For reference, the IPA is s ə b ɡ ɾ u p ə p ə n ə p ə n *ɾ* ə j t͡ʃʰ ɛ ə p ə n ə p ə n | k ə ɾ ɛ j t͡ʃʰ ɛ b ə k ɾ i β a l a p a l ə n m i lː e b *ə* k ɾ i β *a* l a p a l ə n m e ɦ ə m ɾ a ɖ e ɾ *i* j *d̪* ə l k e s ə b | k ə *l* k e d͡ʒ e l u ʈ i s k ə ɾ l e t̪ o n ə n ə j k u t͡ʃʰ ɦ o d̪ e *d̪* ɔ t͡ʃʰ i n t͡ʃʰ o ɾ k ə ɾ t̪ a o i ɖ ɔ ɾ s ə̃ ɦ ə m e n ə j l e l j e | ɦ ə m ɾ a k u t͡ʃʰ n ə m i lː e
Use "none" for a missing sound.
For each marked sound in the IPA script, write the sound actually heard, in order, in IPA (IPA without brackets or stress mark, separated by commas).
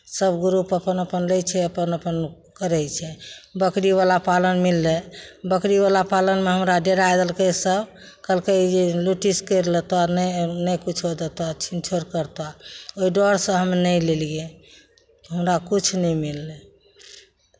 l, ə, a, a, d̪, l, t̪